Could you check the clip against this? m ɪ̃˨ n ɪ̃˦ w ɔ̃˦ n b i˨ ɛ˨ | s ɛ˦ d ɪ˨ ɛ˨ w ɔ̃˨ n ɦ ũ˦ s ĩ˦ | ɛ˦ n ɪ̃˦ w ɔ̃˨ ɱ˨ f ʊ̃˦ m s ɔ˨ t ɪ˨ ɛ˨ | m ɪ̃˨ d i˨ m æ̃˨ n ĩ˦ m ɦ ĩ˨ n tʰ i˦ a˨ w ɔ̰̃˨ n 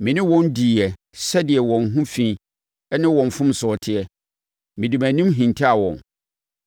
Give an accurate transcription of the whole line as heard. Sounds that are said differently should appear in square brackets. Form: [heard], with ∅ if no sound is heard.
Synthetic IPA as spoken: m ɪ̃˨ n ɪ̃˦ w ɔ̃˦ n [d] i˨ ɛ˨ | s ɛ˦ d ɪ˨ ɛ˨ w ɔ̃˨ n ɦ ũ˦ [f] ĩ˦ | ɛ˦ n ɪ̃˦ w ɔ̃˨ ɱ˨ f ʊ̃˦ m s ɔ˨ [tʰ] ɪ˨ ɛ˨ | m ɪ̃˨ d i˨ m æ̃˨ n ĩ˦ m ɦ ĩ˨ n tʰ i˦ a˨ w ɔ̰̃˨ n

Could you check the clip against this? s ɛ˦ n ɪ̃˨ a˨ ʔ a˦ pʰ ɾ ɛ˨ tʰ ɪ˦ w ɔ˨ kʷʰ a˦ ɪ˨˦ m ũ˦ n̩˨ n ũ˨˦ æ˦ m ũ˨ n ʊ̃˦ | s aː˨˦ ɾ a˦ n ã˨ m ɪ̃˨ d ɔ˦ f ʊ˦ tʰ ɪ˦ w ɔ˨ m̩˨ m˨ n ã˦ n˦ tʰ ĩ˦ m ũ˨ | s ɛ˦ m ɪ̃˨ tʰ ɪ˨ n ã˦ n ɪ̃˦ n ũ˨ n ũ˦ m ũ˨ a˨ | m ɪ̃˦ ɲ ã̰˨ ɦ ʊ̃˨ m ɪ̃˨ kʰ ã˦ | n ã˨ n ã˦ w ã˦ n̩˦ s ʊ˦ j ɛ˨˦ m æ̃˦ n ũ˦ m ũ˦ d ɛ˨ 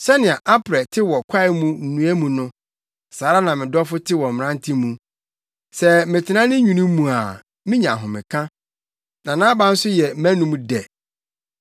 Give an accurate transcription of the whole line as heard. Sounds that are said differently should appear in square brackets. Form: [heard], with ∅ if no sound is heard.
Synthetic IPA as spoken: s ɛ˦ n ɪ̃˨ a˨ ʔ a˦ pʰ ɾ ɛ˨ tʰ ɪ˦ w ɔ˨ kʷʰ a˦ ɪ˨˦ m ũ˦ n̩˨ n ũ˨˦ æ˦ m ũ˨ n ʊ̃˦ | s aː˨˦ ɾ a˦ n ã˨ m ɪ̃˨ d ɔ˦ f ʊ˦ tʰ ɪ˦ w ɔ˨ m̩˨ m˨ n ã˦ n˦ tʰ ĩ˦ m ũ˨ | s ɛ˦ m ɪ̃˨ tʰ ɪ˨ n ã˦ n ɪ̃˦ [ɲ] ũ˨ n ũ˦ m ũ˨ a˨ | m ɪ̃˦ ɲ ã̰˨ ɦ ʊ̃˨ m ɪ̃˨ kʰ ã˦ | n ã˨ n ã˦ [b] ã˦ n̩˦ s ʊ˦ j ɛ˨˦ m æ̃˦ n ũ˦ m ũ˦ d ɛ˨

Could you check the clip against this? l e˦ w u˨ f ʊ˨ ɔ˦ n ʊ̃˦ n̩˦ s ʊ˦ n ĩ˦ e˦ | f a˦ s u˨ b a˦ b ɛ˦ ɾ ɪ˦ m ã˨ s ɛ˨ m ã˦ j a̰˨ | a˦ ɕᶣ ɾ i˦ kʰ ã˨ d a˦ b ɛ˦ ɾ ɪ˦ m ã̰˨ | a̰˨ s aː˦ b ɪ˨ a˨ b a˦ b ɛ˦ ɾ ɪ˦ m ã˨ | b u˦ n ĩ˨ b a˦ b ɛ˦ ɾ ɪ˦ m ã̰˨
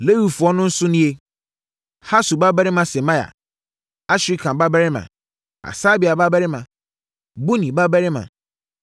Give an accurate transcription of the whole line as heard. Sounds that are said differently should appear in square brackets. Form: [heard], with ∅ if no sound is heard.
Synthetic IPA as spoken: l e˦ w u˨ f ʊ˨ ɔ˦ n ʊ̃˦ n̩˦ s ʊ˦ n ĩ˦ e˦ | [h] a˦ s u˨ b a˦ b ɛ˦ ɾ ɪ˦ m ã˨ s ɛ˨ m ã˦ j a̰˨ | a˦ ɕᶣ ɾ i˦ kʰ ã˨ [b] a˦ b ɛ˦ ɾ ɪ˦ m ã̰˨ | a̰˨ s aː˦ b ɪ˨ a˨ b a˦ b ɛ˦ ɾ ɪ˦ m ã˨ | b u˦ n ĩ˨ b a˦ b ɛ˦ ɾ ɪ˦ m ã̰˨

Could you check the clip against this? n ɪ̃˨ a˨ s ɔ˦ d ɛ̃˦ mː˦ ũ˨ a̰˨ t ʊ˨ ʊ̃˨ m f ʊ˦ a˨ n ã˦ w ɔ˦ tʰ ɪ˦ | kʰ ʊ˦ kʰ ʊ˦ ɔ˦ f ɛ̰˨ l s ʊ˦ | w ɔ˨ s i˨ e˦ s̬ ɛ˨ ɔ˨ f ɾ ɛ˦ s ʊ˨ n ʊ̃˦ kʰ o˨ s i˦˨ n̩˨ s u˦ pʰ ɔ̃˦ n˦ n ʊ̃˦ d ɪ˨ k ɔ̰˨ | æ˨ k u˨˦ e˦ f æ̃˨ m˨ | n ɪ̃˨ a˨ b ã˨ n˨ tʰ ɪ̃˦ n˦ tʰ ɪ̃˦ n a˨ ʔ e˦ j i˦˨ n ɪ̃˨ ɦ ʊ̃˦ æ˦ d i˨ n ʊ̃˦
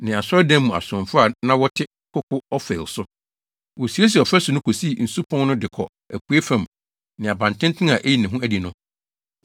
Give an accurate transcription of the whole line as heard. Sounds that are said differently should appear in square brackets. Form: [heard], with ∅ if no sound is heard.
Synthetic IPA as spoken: n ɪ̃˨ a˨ s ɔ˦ d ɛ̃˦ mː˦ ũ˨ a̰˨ [s] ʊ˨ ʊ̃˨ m f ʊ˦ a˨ n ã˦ w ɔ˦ tʰ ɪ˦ | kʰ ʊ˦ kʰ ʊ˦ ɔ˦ f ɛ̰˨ l s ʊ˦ | w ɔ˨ s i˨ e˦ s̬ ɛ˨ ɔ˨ f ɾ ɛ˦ s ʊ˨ n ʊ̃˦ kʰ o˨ s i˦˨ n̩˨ s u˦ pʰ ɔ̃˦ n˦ n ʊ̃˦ d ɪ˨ [kʰ] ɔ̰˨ | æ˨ k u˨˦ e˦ f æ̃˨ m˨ | n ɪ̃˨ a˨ b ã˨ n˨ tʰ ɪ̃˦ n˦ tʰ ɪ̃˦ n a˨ ʔ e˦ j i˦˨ n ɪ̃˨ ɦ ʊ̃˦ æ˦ d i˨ n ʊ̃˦

